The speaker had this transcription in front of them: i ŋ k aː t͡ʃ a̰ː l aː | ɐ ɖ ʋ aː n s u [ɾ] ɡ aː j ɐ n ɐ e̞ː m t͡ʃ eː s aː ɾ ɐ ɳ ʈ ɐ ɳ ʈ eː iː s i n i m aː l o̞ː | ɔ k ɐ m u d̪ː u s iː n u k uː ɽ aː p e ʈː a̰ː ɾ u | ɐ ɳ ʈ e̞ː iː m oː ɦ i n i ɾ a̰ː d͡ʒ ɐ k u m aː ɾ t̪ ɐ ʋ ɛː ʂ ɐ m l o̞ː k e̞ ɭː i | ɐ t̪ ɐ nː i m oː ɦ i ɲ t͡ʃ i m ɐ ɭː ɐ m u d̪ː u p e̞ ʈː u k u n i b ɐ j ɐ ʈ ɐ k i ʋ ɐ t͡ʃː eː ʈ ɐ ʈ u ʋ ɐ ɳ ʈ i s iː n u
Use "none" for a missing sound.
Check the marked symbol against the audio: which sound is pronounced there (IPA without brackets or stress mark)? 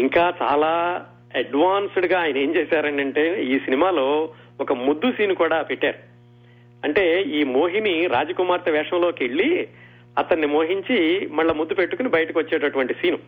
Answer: ɽ